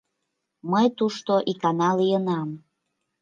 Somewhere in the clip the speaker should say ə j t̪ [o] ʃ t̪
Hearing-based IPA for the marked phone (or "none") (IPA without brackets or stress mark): u